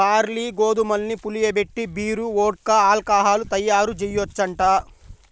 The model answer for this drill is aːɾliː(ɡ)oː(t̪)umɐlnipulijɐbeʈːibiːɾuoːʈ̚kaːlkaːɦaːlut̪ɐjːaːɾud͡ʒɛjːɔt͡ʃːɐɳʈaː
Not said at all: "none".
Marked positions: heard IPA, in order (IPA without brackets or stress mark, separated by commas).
ɡ, d̪